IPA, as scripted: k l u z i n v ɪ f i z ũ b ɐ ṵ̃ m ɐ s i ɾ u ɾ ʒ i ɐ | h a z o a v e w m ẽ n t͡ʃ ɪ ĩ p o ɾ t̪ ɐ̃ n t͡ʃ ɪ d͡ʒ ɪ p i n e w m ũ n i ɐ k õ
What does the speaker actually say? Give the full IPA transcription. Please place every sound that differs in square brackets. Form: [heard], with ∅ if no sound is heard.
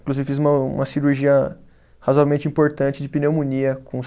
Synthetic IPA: k l u z i [∅] v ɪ f i z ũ [m] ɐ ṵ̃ m ɐ s i ɾ u ɾ ʒ i ɐ | h a z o a v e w m ẽ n t͡ʃ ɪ ĩ p o ɾ t̪ ɐ̃ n t͡ʃ ɪ d͡ʒ ɪ p i n e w m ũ n i ɐ k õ